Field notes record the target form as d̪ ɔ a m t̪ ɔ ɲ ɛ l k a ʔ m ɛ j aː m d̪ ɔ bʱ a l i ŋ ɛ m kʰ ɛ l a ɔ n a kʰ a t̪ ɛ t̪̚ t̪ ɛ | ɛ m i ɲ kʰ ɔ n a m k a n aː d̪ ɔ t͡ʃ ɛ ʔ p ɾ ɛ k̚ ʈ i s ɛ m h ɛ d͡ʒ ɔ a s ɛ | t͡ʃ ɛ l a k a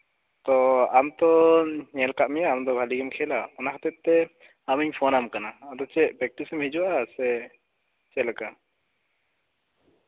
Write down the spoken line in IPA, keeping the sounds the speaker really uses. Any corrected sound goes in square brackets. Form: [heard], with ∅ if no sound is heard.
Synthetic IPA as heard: [t̪] ɔ a m t̪ ɔ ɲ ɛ l k a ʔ m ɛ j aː m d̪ ɔ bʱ a l i [ɡ] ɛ m kʰ ɛ l a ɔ n a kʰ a t̪ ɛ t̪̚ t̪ ɛ | [a] m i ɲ [pʰ] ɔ n a m k a n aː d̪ ɔ t͡ʃ ɛ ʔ p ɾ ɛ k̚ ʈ i s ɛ m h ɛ d͡ʒ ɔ a s ɛ | t͡ʃ ɛ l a k a